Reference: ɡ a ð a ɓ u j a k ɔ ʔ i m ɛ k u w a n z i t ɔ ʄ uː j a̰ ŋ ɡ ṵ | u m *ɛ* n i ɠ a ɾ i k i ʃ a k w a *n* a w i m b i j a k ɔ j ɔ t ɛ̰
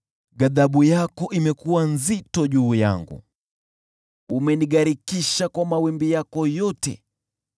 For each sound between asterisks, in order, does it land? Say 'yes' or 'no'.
yes, no

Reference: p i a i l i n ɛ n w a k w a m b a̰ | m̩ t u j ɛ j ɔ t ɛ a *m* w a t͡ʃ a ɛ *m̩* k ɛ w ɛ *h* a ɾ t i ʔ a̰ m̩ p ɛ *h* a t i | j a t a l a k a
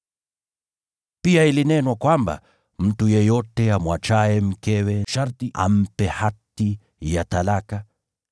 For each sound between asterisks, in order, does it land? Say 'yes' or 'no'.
yes, yes, no, yes

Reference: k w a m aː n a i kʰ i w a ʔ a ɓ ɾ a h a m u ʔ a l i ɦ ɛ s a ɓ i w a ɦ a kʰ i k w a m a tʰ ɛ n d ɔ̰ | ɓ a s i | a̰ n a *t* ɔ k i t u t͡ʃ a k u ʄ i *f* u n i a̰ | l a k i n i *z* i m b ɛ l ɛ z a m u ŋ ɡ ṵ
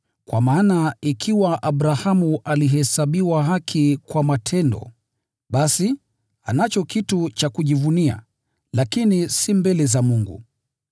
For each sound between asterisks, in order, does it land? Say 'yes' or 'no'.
no, no, no

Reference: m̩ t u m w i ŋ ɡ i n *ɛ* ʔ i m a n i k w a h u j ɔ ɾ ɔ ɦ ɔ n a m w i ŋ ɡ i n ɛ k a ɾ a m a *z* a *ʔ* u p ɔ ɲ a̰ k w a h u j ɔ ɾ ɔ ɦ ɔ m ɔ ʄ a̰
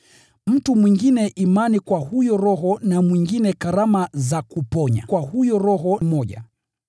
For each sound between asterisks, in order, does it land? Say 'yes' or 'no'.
yes, yes, no

